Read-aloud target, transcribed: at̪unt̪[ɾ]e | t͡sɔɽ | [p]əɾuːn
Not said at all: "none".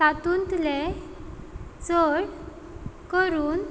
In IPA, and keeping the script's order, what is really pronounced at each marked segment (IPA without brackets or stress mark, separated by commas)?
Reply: l, k